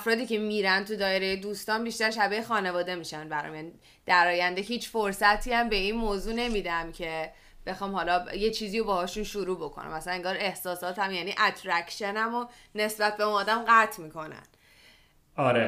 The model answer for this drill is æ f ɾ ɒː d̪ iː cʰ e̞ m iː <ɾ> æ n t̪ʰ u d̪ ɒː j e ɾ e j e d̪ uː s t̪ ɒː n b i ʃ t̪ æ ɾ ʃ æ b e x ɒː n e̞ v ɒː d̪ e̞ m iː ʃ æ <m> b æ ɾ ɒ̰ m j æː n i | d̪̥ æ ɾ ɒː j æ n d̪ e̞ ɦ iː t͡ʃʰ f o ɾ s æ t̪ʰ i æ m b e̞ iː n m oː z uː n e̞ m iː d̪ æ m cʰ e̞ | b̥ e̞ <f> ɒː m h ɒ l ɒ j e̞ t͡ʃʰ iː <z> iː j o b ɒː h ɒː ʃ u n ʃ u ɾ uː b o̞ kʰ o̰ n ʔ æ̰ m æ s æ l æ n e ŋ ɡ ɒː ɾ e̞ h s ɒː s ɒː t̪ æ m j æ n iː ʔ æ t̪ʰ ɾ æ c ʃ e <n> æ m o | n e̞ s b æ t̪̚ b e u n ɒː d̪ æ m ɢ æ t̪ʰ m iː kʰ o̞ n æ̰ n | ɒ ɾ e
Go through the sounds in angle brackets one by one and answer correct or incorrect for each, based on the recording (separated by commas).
correct, incorrect, incorrect, correct, correct